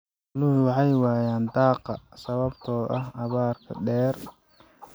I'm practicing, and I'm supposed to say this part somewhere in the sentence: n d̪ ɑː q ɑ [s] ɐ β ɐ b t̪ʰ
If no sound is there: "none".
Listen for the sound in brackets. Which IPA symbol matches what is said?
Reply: s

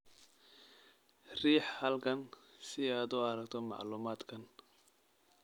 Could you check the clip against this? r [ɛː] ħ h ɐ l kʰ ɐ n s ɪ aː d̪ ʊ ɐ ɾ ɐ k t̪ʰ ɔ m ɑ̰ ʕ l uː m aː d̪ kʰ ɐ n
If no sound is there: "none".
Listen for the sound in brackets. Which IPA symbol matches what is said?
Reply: iː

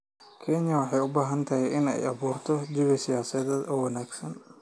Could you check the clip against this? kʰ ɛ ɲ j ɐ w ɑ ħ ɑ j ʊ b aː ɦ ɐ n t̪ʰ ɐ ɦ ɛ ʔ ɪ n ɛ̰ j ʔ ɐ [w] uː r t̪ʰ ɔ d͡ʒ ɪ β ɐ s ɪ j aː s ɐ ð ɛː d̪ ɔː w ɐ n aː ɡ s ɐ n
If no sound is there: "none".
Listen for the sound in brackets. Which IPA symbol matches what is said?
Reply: β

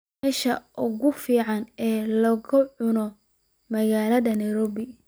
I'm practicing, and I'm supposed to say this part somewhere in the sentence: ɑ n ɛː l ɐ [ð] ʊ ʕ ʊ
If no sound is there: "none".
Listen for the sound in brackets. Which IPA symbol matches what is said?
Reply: ɣ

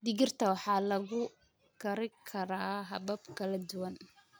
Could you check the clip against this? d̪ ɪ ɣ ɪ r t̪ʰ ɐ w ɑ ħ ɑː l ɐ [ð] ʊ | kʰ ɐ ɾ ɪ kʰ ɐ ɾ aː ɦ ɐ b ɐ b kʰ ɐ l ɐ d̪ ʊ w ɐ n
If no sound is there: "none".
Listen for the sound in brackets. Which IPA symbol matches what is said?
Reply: ɣ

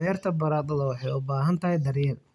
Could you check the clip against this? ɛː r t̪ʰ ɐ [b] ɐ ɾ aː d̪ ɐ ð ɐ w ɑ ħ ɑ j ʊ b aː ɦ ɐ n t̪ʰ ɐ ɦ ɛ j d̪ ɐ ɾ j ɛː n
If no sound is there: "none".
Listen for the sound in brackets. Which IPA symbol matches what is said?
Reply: b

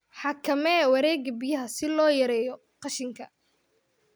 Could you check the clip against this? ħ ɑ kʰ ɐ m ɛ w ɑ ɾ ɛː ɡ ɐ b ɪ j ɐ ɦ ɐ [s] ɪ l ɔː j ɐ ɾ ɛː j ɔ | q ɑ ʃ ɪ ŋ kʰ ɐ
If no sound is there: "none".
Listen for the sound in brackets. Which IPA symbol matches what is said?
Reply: s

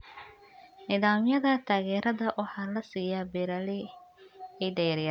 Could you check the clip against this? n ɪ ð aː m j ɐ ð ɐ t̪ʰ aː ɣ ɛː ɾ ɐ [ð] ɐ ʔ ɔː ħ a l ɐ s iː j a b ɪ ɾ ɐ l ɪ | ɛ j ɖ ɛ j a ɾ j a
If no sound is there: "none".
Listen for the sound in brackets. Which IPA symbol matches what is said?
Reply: ð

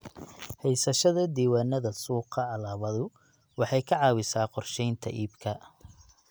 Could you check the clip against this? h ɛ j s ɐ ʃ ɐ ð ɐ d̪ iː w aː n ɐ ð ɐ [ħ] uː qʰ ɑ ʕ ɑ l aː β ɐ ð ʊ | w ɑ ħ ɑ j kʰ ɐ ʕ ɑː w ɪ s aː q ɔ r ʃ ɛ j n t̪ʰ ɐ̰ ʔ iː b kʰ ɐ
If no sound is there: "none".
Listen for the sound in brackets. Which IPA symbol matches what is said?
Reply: s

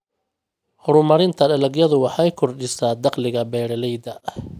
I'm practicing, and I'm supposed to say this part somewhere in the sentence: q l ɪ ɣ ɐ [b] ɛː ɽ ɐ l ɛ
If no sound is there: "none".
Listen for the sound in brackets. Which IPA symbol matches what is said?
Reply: b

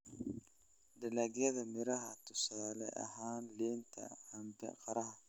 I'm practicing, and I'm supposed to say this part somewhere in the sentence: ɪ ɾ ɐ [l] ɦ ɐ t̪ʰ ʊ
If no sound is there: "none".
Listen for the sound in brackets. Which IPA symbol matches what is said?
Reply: none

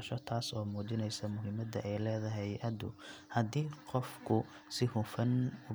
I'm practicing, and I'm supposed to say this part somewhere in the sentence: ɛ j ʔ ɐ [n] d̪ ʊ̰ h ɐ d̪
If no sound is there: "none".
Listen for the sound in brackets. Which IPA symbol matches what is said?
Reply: none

